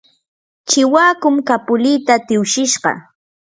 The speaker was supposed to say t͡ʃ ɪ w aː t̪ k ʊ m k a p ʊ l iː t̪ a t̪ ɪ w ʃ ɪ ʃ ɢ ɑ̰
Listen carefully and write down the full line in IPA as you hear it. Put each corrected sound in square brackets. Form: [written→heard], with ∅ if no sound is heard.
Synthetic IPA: t͡ʃ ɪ w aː [t̪→∅] k ʊ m k a p ʊ l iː t̪ a t̪ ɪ w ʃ ɪ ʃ ɢ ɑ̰